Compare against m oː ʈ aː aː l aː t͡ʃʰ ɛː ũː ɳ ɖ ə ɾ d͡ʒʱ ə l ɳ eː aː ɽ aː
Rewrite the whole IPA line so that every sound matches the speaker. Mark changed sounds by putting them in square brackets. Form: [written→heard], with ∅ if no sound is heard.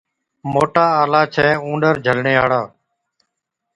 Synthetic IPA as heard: m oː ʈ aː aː l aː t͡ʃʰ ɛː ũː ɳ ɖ ə ɾ d͡ʒʱ ə l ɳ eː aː ɽ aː